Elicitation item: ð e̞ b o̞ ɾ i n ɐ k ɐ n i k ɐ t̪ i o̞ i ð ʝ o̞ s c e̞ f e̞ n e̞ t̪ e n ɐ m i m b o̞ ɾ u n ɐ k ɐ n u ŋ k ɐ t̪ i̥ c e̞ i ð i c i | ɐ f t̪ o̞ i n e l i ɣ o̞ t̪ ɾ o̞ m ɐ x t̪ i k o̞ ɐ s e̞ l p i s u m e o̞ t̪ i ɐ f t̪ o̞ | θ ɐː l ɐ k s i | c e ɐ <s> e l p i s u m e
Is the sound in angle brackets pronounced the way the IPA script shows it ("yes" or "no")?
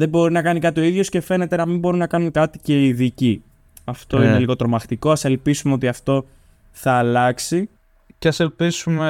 yes